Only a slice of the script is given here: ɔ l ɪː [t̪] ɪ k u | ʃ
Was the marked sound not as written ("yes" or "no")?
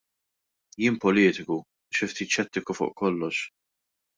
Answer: no